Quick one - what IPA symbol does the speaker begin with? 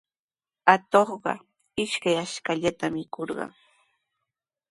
a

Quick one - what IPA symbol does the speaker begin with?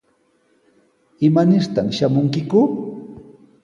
ɪ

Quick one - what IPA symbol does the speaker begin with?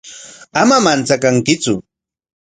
a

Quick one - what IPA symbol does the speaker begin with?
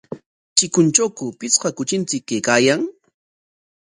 t͡ʃ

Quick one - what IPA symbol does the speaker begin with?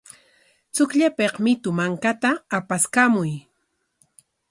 t͡s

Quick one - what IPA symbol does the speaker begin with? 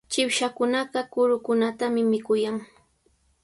t͡ʃ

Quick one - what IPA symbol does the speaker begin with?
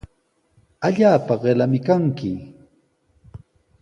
a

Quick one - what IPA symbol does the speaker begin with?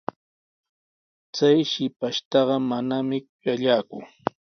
t͡s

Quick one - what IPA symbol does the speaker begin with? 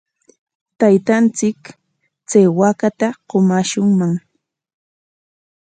t̪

